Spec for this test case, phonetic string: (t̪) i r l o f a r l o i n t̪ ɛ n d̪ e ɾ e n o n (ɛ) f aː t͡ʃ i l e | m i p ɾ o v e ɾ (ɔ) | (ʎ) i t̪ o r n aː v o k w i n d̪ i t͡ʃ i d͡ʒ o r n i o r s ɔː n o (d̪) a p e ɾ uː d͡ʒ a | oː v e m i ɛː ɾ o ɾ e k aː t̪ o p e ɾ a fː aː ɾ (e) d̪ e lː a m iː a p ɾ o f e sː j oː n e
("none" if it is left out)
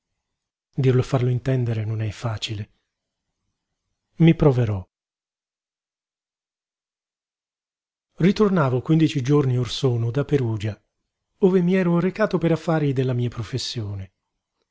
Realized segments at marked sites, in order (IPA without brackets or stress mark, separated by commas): d̪, ɛ, ɔ, r, d̪, i